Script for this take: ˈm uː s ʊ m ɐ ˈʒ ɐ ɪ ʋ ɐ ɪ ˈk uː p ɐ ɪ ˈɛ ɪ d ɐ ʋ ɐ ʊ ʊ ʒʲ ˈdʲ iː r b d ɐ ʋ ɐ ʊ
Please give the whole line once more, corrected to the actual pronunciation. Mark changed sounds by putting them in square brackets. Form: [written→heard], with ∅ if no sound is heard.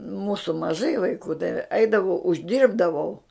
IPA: ˈm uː s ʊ m ɐ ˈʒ ɐ ɪ ʋ ɐ ɪ ˈk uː [p→t] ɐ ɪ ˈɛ ɪ d ɐ ʋ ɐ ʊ ʊ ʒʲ ˈdʲ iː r b d ɐ ʋ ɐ ʊ